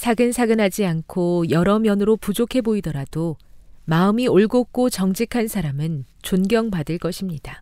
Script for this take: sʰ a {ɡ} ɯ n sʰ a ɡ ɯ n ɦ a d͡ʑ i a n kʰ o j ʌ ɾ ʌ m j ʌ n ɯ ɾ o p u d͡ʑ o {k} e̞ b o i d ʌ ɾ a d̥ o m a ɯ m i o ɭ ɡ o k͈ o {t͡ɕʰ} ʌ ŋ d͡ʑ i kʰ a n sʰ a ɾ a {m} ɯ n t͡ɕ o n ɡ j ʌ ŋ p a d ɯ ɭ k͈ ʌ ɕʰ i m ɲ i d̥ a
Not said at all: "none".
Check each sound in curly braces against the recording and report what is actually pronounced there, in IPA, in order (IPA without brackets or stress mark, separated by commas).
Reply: ɡ, kʰ, t͡ɕ, m